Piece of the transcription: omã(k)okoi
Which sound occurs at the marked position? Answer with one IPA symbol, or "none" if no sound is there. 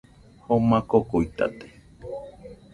k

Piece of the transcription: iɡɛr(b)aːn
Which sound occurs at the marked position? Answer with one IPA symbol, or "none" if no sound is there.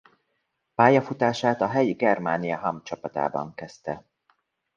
m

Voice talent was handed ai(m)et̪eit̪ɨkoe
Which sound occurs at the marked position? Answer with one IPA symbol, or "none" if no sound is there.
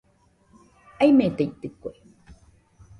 m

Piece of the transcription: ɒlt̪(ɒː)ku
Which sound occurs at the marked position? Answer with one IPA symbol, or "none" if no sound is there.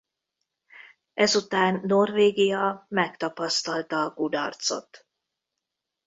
ɒː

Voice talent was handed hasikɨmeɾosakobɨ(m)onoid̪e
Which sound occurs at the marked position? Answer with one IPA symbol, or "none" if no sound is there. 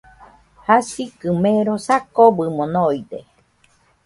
m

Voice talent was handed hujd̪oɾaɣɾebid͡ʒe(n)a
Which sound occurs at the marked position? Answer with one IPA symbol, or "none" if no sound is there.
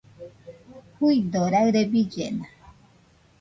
n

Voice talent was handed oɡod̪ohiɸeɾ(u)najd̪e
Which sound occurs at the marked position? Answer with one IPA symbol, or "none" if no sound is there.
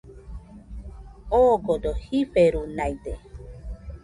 u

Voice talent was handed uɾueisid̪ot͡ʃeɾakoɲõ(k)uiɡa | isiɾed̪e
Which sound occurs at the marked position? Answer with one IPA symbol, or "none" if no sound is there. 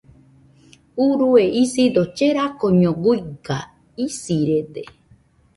ɡ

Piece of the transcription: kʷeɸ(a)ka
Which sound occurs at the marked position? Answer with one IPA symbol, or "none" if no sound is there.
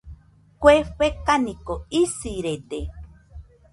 e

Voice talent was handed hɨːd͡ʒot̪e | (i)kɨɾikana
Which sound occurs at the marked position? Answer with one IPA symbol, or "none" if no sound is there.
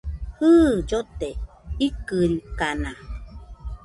i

